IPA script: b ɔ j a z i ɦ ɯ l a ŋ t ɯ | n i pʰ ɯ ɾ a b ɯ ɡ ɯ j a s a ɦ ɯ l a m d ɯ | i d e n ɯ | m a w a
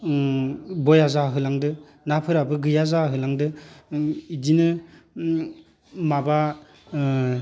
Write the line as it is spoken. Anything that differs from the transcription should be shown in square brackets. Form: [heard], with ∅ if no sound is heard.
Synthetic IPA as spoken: b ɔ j a z [a] ɦ ɯ l a ŋ [d] ɯ | n [a] pʰ ɯ ɾ a b ɯ ɡ ɯ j a [z] a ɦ ɯ l a [ŋ] d ɯ | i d [i] n ɯ | m a [b] a